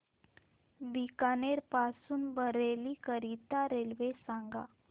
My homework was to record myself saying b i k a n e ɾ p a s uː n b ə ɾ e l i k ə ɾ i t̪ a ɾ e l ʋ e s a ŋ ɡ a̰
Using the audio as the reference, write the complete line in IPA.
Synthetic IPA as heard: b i k a n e ɾ p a s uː n b ə ɾ e l i k ə ɾ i t̪ a ɾ e l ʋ e s a ŋ ɡ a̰